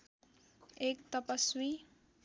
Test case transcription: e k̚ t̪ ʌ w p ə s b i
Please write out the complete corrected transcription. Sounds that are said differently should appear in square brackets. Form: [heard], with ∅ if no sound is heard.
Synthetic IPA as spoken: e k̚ t̪ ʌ [∅] p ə s [w] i